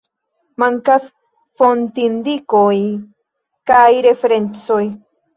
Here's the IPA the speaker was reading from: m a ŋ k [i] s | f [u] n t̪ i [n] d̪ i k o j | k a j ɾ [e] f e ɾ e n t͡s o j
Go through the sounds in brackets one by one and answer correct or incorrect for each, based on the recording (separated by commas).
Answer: incorrect, incorrect, correct, correct